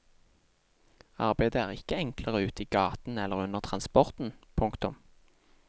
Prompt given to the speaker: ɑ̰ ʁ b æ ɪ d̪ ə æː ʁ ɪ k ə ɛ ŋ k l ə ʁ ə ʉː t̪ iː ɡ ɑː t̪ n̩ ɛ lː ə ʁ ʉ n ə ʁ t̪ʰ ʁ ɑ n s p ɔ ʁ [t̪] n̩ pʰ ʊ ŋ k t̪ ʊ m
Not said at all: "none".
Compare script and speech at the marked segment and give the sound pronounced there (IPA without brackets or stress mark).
t̪